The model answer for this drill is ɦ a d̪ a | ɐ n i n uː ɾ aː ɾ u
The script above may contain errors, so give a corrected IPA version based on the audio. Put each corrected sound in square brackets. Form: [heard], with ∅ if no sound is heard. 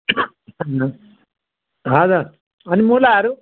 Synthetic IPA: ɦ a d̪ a | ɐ n i [m] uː [l] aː ɾ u